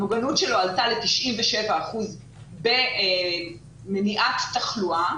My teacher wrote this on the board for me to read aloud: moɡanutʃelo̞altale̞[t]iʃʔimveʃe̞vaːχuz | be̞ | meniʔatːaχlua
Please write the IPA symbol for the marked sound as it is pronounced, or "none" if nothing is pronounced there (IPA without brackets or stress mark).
t